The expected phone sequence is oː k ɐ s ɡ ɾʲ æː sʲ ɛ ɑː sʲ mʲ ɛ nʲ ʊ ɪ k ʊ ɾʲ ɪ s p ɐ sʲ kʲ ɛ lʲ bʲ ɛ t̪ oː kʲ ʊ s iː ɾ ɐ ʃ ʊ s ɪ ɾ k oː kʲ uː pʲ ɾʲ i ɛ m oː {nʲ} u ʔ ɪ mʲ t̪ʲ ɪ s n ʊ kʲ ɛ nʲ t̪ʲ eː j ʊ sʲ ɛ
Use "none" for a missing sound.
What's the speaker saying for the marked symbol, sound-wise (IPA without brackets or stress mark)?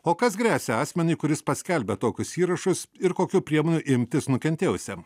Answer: nʲ